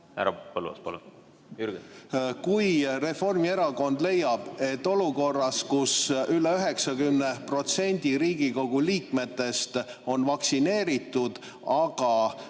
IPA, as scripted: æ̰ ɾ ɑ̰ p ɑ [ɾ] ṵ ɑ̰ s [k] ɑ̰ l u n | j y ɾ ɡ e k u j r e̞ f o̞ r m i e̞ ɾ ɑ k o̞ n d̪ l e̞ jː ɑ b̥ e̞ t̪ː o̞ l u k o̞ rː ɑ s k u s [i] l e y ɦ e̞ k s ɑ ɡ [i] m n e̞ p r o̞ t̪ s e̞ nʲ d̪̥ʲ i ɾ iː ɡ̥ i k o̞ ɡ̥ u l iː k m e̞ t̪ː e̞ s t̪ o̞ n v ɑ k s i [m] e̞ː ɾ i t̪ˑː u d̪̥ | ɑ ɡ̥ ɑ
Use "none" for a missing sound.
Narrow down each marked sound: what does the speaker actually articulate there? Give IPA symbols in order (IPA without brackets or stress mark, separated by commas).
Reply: l, p, y, y, n